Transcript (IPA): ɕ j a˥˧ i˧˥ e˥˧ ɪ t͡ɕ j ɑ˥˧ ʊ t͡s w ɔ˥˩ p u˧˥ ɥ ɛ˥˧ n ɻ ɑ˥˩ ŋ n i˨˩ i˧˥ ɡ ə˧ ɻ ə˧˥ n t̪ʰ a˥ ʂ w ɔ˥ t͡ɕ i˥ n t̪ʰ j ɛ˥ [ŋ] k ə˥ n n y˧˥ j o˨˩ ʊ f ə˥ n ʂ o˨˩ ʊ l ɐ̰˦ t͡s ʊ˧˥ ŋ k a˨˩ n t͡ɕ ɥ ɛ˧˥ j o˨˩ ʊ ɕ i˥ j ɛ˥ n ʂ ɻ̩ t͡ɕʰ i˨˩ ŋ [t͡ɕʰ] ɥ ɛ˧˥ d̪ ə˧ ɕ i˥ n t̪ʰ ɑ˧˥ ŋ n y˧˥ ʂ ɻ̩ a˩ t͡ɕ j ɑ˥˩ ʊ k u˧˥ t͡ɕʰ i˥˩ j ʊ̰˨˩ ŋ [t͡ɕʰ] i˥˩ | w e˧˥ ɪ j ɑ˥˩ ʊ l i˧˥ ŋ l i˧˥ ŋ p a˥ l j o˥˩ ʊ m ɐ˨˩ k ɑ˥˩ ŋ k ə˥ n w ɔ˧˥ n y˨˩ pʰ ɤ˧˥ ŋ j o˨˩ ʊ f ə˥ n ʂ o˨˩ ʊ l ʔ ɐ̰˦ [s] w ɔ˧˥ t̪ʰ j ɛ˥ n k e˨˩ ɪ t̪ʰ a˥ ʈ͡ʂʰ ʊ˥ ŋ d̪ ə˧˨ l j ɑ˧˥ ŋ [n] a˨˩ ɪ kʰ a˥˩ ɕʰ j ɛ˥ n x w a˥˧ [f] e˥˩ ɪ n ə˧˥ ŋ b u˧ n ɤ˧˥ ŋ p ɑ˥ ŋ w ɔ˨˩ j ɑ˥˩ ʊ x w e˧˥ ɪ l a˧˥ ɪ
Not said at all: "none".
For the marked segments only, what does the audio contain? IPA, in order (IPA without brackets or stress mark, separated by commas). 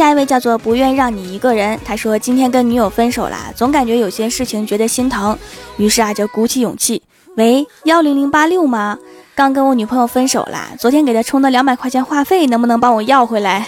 n, t͡ɕ, t͡ɕʰ, t͡s, m, f